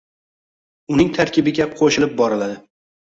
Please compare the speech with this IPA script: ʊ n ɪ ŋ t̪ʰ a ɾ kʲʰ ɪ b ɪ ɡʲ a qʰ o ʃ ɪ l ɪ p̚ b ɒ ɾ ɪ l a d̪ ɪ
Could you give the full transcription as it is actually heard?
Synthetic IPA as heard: ʊ n ɪ ŋ t̪ʰ a ɾ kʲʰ ɪ b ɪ ɡʲ a qʰ o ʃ ɪ l ɪ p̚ b ɒ ɾ ɪ l a d̪ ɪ